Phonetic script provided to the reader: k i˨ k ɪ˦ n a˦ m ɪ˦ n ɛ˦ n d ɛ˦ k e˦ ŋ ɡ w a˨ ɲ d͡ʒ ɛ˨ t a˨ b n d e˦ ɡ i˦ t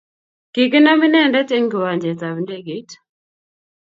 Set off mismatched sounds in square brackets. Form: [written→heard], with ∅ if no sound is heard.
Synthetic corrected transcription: k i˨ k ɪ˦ n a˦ m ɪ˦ n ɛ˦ n d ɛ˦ [k→t] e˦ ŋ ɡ w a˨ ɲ d͡ʒ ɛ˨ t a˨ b n d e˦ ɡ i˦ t